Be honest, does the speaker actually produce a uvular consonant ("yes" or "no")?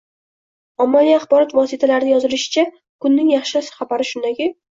yes